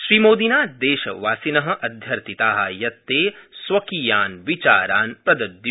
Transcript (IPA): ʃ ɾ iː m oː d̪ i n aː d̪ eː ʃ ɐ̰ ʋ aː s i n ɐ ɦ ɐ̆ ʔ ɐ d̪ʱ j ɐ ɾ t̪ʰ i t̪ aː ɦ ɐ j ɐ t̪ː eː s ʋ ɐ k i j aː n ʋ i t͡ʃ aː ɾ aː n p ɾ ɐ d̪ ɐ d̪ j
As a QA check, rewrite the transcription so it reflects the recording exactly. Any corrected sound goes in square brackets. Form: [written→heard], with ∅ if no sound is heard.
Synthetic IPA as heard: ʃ ɾ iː m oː d̪ i n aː d̪ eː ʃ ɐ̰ ʋ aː s i n ɐ ɦ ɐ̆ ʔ ɐ d̪ʱ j ɐ ɾ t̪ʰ i t̪ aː ɦ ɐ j ɐ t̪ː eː s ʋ ɐ k i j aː n ʋ i t͡ʃ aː ɾ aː n p ɾ ɐ d̪ ɐ d̪ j